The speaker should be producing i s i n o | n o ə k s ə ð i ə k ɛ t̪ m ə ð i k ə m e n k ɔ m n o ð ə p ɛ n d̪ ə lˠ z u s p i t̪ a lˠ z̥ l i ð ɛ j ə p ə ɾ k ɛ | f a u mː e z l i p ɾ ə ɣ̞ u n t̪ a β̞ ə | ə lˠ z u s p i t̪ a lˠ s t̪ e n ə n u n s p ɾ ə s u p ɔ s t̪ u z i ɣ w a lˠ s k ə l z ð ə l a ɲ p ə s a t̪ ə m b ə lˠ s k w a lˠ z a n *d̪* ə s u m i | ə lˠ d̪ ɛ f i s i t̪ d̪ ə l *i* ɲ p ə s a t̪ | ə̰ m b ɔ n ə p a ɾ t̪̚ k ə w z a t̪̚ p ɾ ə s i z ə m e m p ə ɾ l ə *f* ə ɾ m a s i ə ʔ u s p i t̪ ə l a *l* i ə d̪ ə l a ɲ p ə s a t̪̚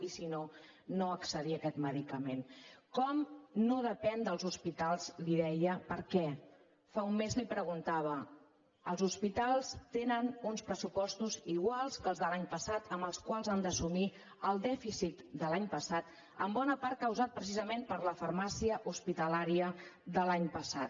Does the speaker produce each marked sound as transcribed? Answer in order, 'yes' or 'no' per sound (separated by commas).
yes, no, yes, no